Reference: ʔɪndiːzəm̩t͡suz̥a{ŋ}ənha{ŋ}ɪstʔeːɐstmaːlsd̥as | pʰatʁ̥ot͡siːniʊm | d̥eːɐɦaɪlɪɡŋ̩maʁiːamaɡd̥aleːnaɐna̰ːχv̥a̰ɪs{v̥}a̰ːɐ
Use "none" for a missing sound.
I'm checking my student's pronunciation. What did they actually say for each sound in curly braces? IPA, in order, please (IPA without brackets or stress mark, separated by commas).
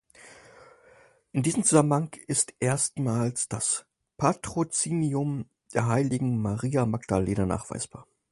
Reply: m, ŋ, b̥